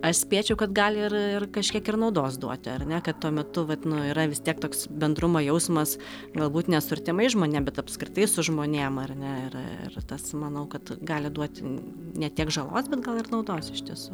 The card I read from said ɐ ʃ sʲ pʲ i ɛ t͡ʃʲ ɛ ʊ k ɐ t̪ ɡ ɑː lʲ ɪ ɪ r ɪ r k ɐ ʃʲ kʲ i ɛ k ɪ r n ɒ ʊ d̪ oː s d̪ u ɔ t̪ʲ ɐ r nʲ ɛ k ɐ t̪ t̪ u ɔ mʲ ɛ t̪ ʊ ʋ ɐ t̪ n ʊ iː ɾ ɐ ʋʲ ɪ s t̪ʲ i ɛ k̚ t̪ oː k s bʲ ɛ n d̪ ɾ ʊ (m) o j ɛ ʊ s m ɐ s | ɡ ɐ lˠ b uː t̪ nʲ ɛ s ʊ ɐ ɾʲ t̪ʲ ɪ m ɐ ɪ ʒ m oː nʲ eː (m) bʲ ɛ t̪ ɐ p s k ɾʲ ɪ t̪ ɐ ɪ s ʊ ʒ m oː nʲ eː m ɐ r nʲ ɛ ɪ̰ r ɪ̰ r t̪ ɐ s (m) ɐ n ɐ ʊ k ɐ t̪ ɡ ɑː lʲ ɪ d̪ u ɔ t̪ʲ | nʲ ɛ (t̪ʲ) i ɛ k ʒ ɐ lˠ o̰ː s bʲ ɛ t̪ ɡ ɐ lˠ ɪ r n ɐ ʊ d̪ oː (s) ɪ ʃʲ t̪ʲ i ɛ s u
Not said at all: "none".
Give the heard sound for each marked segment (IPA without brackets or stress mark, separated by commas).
m, m, m, t̪ʲ, s